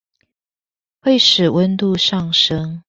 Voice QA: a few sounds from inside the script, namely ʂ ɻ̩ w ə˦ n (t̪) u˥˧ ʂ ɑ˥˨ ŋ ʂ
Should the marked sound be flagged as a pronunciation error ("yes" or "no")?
no